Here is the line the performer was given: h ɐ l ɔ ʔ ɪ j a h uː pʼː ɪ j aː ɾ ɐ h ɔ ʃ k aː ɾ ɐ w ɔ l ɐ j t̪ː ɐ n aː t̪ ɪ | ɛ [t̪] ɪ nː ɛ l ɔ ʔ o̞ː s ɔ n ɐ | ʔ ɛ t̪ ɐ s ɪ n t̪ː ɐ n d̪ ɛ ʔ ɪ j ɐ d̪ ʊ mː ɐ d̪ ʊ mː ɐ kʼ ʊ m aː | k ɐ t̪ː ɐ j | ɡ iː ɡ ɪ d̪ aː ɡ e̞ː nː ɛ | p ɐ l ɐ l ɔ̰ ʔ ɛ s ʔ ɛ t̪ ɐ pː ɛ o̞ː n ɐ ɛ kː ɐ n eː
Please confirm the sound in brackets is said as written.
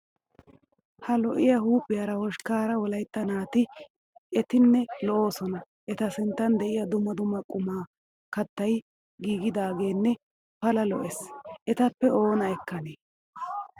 yes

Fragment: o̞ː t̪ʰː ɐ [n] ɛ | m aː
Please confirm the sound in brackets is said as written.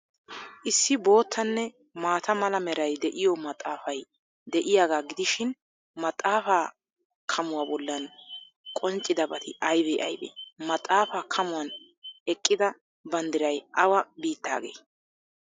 no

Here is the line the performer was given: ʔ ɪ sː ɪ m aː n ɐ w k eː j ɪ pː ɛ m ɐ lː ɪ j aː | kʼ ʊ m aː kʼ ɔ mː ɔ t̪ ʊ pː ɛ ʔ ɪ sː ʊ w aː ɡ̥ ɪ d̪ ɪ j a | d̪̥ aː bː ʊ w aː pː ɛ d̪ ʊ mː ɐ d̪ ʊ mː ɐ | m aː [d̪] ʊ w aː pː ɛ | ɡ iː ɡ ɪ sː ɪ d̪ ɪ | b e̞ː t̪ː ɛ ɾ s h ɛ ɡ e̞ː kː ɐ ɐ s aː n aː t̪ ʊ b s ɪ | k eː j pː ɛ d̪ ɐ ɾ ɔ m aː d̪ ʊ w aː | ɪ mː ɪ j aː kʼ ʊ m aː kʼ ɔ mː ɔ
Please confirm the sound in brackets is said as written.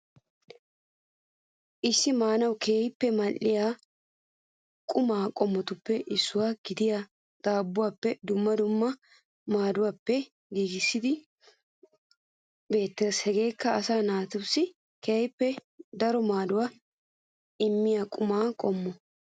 yes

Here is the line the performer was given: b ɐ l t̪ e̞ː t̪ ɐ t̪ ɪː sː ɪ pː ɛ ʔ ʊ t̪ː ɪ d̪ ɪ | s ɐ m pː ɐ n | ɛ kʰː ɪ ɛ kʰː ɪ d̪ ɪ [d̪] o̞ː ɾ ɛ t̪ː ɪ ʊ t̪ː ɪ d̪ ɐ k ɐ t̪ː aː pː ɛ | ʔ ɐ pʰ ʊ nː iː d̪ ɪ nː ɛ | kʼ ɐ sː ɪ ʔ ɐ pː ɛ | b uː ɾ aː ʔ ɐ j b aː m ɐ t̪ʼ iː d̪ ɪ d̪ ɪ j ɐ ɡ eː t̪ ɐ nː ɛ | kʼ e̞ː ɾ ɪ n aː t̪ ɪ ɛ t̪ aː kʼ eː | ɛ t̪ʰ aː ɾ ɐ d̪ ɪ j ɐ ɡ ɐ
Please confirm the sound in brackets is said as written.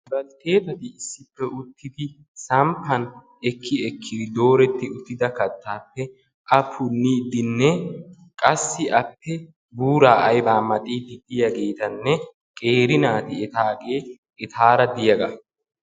yes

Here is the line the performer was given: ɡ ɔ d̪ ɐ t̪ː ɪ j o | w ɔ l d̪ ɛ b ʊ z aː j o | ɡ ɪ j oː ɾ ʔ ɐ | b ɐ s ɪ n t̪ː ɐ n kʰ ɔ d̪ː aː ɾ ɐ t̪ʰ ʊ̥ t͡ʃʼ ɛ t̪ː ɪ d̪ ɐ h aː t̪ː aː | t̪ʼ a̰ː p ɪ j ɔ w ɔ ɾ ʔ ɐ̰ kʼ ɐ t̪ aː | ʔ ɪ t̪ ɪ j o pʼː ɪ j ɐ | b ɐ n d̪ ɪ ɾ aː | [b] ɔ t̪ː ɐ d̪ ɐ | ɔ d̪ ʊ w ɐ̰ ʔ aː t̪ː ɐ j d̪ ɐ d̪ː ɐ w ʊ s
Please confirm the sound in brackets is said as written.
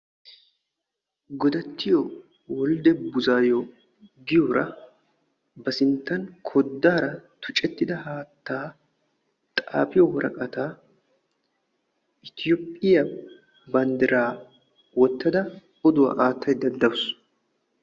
no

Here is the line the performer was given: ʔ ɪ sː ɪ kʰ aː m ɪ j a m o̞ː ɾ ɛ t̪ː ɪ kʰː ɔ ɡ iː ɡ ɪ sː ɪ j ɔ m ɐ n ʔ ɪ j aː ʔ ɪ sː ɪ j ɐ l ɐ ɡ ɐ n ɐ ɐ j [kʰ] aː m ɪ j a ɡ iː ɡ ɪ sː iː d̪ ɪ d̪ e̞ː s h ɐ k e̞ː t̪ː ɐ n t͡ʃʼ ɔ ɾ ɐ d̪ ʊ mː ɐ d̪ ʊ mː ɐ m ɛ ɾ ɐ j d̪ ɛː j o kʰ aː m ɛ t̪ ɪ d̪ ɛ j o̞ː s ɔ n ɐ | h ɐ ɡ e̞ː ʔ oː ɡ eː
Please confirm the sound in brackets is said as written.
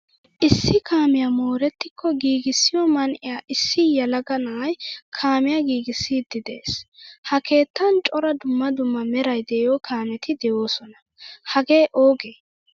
yes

